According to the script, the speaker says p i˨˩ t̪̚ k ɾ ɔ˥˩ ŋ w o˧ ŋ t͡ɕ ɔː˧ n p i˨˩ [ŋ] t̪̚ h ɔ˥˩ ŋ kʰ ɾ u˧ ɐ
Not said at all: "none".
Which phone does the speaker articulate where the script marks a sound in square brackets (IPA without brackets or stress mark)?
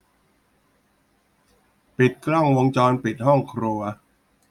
none